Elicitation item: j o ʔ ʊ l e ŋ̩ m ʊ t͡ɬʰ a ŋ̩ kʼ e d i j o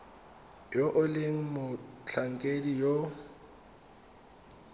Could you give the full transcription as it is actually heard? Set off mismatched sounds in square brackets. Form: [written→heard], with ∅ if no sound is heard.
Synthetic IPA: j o ʔ ʊ l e ŋ̩ m ʊ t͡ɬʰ a ŋ̩ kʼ e d i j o